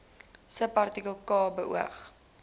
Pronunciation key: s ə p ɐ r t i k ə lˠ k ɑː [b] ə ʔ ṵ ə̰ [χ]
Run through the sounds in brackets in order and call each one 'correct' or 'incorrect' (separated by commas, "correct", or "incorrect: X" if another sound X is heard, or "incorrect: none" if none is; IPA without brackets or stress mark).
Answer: correct, correct